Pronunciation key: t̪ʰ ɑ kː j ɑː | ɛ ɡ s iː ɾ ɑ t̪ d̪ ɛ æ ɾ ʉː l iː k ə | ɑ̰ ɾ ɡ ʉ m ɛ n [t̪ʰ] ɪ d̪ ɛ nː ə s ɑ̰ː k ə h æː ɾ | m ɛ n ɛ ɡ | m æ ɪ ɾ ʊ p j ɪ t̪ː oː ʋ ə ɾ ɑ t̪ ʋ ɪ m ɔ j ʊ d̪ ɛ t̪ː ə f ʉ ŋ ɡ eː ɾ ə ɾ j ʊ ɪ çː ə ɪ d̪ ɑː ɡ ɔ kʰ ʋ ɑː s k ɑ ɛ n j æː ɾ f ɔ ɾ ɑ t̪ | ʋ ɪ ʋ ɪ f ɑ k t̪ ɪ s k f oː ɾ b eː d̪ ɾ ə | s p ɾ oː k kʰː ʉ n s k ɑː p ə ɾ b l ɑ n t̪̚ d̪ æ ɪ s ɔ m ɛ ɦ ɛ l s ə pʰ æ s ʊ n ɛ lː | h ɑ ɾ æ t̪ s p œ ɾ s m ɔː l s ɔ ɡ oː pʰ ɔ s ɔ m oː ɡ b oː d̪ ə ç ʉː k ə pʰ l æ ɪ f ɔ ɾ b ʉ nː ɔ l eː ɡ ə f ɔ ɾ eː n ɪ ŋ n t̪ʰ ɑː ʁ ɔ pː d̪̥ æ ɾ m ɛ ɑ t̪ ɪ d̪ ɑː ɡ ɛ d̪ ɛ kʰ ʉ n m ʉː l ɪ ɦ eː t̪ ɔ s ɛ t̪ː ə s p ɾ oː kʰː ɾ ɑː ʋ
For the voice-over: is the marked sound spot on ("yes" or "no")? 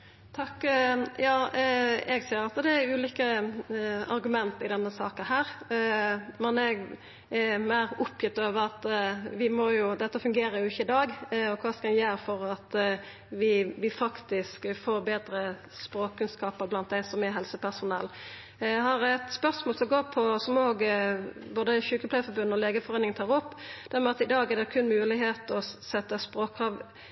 no